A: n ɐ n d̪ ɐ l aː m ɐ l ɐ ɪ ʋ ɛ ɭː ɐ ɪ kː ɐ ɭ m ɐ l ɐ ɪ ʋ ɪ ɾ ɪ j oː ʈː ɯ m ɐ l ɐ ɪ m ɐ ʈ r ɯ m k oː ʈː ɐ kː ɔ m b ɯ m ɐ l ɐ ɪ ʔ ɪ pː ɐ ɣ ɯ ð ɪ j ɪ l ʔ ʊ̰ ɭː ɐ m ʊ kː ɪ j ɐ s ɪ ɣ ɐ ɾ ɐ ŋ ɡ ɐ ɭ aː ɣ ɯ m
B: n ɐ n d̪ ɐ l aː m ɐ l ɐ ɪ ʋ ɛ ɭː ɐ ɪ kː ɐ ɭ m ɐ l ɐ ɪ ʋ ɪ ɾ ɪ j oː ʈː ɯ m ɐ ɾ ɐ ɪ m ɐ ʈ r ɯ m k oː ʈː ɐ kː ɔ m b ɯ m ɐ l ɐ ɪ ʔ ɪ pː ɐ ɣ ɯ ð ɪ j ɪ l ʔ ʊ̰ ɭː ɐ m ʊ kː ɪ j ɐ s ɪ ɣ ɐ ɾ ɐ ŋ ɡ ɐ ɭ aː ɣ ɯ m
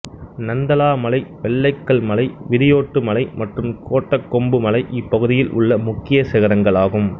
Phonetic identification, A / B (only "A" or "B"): A